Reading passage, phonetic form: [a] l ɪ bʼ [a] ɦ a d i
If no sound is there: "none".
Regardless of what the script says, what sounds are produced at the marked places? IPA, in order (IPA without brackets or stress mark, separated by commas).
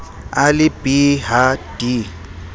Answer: a, i